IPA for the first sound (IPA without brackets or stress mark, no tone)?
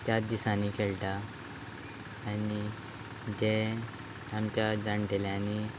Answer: t̪